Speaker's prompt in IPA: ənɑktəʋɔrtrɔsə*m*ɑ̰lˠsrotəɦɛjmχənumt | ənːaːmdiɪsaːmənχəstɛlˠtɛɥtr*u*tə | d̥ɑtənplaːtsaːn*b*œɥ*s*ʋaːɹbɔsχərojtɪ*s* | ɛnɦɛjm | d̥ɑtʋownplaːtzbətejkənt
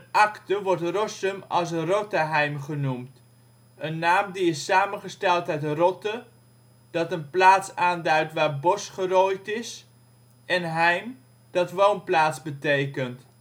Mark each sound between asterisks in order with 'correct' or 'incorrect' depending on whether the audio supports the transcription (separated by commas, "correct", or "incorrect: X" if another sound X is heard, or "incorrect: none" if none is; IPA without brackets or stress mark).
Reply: correct, incorrect: ɔ, incorrect: d, incorrect: t, correct